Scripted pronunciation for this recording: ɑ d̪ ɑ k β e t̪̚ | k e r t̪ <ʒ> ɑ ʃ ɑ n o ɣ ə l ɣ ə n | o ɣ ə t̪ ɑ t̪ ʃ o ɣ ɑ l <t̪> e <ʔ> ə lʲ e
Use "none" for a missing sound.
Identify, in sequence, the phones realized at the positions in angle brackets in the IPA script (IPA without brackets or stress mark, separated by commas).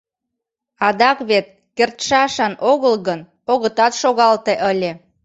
ʃ, t̪, ʔ